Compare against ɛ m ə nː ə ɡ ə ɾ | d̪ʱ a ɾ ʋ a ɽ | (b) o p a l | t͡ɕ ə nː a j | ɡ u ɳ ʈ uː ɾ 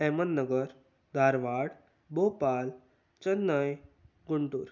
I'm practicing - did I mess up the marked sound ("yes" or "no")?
no